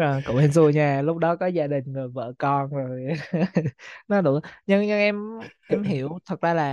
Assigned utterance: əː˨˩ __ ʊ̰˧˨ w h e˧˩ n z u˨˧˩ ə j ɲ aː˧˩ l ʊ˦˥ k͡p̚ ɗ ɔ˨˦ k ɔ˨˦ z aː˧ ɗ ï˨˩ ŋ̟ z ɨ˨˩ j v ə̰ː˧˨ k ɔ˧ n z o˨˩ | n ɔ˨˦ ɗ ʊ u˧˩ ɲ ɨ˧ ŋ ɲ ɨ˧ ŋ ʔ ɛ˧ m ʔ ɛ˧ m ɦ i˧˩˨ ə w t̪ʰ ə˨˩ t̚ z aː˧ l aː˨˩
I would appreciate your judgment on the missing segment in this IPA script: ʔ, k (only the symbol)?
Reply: k